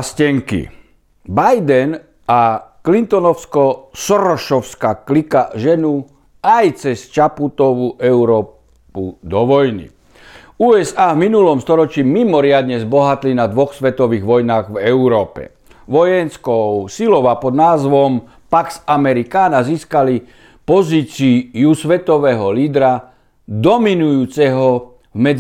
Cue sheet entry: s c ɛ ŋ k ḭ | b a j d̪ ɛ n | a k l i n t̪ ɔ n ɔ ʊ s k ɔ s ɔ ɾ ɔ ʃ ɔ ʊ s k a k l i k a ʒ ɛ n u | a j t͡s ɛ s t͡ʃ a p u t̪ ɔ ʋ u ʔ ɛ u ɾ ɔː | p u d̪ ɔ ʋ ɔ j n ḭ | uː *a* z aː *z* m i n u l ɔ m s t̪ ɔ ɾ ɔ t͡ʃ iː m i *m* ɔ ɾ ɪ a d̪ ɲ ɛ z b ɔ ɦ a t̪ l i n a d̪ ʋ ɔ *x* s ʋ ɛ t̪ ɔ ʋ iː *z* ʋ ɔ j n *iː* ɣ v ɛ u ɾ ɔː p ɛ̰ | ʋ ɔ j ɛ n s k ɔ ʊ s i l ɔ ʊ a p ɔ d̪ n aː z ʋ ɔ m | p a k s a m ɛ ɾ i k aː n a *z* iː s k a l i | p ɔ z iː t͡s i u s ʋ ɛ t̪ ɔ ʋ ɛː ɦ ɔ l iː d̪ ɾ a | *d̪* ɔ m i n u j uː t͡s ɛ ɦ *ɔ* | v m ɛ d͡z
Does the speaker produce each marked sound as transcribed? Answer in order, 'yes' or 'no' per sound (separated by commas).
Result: no, no, yes, yes, no, no, yes, yes, yes